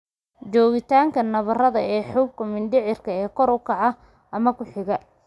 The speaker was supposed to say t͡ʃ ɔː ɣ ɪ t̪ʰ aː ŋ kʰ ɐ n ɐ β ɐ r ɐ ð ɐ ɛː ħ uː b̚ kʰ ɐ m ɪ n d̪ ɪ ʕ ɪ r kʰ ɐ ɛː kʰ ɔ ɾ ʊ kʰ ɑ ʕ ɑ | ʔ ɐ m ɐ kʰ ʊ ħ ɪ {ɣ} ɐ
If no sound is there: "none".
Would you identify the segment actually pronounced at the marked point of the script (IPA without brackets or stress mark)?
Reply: ɣ